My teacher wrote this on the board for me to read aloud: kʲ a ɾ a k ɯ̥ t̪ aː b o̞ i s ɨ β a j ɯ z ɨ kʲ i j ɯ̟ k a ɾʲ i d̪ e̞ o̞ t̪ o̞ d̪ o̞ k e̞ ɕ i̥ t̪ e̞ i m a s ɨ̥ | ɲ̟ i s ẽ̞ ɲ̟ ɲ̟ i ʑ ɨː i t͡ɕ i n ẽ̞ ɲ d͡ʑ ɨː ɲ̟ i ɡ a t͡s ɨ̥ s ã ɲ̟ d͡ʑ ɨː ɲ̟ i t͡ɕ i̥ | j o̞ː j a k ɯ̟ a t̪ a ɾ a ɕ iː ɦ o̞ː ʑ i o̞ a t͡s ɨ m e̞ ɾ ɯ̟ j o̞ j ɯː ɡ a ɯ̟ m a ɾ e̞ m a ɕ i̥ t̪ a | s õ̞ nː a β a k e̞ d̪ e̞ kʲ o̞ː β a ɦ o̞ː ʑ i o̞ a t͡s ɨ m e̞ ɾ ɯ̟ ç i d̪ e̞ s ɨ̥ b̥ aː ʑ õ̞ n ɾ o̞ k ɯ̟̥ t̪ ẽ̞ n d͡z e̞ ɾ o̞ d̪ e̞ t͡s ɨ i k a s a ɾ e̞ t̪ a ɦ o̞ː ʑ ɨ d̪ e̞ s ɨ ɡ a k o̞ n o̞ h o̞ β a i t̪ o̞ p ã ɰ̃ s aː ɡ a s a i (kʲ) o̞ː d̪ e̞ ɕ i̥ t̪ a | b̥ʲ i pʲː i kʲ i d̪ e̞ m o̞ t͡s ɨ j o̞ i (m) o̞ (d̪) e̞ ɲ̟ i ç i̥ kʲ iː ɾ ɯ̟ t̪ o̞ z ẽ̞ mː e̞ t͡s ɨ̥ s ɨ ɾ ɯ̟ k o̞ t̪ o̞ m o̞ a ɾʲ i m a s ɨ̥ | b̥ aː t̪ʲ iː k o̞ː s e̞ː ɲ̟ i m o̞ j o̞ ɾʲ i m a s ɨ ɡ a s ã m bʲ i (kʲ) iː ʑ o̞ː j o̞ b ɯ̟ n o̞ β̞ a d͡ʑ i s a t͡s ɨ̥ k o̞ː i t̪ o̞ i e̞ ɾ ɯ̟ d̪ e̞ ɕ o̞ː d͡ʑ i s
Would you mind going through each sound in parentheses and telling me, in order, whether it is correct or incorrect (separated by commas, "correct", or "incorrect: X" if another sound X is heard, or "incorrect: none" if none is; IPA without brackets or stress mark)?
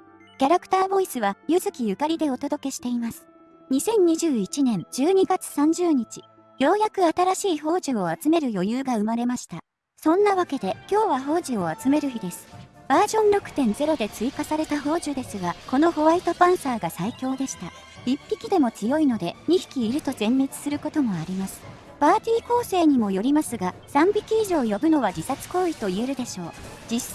correct, incorrect: n, correct, correct